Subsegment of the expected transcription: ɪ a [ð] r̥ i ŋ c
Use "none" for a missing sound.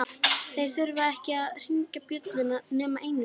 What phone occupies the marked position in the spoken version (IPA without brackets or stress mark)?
ð